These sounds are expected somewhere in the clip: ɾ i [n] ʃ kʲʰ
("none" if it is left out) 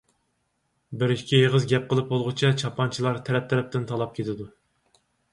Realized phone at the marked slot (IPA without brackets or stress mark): none